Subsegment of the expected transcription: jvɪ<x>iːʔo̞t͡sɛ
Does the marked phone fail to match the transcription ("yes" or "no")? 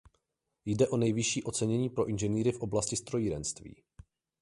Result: yes